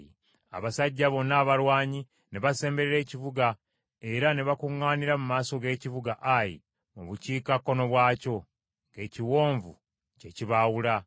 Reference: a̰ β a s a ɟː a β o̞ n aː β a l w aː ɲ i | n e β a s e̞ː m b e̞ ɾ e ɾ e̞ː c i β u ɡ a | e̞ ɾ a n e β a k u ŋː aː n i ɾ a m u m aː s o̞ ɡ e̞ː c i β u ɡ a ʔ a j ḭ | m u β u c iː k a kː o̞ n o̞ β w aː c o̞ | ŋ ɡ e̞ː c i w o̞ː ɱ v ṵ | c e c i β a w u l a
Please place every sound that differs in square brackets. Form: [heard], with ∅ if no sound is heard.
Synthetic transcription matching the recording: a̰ β a s a ɟː a β o̞ n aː β a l w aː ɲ i | n e β a s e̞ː m b e̞ ɾ e ɾ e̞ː c i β u ɡ a | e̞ ɾ a n e β a k u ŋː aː n i ɾ a m u m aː s o̞ ɡ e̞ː c i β u ɡ a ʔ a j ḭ | m u β u c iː k a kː o̞ n o̞ β w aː c o̞ | ŋ ɡ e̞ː c i w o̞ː ɱ v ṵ | c e c i β a w u l a